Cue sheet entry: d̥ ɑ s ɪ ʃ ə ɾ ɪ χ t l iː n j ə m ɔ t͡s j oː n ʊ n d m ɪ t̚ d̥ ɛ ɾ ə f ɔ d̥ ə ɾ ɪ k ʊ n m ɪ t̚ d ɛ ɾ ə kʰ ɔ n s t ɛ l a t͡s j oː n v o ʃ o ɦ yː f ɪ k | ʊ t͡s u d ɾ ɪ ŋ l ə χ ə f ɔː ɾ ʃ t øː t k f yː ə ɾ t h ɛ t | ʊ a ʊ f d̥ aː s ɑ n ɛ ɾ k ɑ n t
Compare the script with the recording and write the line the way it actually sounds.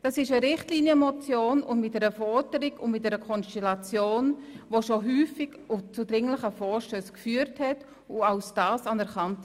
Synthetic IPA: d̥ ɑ s ɪ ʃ ə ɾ ɪ χ t l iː n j ə m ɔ t͡s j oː n ʊ n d m ɪ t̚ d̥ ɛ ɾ ə f ɔ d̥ ə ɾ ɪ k ʊ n m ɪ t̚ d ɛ ɾ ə kʰ ɔ n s t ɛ l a t͡s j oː n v o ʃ o ɦ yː f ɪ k | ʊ t͡s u d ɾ ɪ ŋ l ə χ ə f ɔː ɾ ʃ t øː s k f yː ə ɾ t h ɛ t | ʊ a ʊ s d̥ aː s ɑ n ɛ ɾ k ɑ n t